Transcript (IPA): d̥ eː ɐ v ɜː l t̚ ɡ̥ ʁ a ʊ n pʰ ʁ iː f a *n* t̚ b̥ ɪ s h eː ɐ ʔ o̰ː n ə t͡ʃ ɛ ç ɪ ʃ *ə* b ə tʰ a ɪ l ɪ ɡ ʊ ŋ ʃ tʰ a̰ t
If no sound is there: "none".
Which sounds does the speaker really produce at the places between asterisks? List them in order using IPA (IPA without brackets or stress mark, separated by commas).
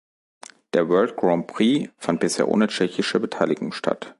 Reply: n, ə